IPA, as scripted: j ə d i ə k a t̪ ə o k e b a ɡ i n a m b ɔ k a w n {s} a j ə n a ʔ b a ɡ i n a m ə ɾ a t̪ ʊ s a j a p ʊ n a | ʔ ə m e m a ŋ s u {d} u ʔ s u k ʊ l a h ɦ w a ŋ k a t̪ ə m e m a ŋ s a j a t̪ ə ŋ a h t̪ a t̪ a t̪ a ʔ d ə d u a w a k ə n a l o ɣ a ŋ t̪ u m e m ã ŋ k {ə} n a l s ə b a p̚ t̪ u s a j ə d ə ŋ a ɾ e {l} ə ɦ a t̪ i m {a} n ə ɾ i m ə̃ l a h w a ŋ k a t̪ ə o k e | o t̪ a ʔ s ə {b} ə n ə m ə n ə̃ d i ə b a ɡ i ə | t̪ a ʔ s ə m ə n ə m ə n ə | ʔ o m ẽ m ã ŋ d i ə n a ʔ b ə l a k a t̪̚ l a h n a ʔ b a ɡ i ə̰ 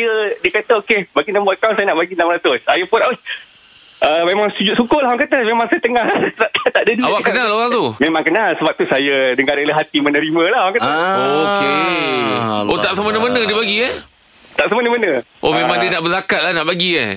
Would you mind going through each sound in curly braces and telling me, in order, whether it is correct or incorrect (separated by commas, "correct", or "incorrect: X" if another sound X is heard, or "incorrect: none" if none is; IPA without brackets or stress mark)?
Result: correct, incorrect: d͡ʒ, correct, correct, incorrect: ə, incorrect: m